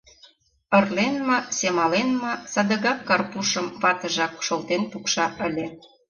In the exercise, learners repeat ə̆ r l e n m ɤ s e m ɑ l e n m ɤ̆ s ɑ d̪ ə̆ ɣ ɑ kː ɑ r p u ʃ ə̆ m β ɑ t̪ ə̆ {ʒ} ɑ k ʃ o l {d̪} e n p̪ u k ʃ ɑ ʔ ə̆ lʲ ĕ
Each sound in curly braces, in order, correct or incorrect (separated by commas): correct, incorrect